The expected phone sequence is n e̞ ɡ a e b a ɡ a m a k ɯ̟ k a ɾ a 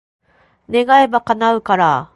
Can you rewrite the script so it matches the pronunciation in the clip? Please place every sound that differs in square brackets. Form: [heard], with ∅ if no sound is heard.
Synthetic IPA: n e̞ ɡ a e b a [k] a [n] a [∅] ɯ̟ k a ɾ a